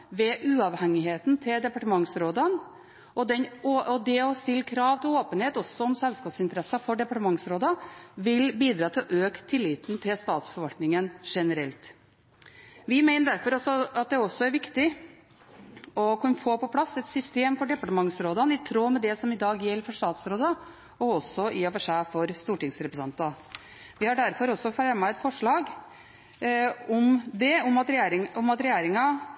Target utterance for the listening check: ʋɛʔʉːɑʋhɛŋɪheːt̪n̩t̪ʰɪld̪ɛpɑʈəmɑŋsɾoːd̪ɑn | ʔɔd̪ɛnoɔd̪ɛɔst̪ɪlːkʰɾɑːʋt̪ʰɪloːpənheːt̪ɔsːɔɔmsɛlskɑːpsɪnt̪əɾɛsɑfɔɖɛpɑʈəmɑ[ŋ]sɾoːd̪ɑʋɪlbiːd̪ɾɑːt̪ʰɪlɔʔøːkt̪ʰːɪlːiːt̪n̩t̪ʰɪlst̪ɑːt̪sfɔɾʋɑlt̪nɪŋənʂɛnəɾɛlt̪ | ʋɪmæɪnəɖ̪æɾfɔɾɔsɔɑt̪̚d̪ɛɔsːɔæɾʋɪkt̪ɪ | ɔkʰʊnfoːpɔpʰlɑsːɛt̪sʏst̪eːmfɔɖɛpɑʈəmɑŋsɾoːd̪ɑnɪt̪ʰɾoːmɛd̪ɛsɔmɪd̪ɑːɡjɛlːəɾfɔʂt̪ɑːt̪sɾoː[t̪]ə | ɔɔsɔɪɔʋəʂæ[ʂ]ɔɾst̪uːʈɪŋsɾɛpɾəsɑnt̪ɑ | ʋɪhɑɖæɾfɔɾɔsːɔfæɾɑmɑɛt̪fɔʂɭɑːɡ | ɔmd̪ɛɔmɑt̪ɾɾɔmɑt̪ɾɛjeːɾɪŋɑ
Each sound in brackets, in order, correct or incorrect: correct, incorrect, incorrect

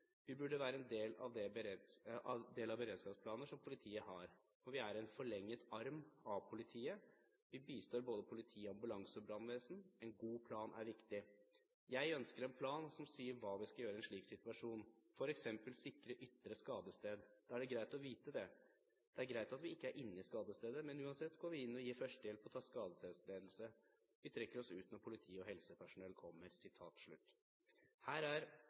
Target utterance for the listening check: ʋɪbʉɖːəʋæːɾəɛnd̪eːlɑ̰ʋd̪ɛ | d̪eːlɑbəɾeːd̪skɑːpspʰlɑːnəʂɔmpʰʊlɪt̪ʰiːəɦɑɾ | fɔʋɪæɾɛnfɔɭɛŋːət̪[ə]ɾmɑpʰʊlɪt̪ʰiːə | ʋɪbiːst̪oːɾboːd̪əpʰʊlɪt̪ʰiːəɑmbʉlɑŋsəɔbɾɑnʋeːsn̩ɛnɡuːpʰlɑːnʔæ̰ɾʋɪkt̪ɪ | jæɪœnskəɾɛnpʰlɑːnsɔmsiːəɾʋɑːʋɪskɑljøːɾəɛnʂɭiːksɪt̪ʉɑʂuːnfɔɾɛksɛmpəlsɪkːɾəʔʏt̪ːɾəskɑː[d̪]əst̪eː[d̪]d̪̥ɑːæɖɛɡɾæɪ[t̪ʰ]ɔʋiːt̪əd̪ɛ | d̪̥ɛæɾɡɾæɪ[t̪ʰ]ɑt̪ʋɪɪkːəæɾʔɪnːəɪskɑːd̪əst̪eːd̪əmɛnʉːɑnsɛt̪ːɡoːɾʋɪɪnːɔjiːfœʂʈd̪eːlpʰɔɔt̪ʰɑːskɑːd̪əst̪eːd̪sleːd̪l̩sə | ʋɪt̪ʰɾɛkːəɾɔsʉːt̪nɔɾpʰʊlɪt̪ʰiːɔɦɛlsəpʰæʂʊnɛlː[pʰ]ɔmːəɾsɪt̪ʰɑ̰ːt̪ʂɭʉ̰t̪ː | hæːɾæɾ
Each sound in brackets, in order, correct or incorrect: incorrect, correct, correct, incorrect, incorrect, incorrect

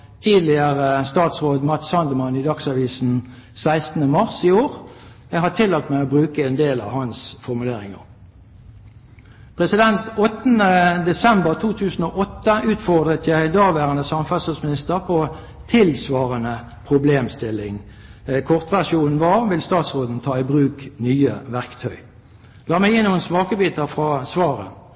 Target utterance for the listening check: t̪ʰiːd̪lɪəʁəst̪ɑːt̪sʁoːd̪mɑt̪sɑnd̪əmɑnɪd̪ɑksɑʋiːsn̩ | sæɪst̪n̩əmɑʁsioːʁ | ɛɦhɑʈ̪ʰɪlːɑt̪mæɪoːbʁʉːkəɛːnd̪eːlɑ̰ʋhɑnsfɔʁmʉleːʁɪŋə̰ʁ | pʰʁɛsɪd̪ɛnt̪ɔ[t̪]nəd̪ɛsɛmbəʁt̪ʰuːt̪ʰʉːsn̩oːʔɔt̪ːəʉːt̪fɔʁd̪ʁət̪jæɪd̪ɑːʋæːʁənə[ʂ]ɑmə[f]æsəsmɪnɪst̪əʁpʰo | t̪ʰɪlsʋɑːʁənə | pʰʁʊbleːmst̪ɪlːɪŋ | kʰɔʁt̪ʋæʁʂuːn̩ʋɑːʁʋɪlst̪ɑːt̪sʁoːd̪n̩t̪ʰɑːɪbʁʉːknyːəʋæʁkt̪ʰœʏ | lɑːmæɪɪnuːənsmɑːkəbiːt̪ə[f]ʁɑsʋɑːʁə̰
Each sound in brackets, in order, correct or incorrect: correct, incorrect, correct, correct

